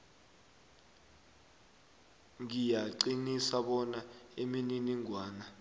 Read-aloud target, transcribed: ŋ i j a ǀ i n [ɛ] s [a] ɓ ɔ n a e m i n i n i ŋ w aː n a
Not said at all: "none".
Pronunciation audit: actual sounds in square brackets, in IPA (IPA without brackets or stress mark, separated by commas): i, a